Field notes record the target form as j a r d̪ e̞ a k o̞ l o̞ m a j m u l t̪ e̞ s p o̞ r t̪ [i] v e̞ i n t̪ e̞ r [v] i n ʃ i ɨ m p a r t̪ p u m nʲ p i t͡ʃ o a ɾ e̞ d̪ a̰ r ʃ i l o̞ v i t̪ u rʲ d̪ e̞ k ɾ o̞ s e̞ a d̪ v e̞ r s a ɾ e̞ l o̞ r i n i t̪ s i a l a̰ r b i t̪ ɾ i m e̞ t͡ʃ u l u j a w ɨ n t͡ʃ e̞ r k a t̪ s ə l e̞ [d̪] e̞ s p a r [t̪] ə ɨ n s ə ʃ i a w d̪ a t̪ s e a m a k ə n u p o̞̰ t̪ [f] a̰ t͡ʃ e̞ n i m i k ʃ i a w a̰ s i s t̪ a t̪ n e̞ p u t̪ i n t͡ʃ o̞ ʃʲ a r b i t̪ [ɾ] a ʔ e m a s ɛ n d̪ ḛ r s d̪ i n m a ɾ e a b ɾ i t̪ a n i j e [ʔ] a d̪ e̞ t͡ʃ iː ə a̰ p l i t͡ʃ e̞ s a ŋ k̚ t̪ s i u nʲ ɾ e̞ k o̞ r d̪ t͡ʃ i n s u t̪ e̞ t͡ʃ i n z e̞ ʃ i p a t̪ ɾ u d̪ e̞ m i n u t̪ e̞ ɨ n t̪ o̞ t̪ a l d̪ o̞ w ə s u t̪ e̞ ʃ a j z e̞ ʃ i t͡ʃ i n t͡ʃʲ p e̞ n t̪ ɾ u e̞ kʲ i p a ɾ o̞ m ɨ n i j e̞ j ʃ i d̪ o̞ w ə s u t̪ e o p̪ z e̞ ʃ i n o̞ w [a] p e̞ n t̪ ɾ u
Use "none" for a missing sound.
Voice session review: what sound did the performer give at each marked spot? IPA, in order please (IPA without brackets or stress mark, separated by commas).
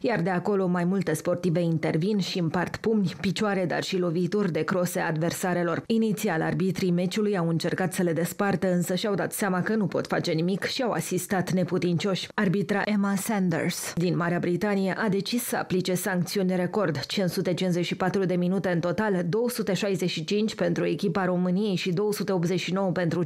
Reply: i, v, d̪, t̪, f, ɾ, ʔ, ə